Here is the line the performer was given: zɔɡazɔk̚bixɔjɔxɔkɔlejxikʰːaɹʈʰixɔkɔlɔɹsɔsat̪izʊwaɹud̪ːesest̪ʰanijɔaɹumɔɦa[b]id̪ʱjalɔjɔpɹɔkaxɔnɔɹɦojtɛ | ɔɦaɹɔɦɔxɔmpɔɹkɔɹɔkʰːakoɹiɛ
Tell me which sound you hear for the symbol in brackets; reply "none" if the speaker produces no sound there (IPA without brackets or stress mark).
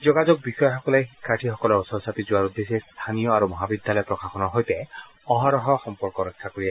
b